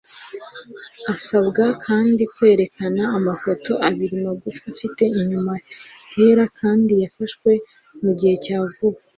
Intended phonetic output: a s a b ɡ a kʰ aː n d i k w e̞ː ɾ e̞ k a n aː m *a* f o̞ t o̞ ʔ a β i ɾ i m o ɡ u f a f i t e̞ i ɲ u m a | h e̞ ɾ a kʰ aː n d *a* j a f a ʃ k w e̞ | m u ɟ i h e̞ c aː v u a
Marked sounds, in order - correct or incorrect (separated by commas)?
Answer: correct, incorrect